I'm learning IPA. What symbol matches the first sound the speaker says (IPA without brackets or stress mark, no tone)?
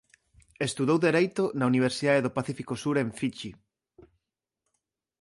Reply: e